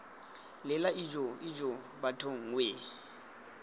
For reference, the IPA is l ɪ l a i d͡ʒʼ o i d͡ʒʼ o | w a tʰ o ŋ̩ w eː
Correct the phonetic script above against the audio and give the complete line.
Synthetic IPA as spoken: l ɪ l a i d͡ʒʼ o i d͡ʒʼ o | b a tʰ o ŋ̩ w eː